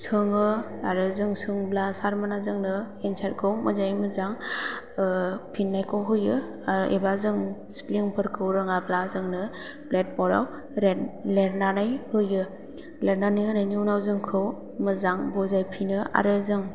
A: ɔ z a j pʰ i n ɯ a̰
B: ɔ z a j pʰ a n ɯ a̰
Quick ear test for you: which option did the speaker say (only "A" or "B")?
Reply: A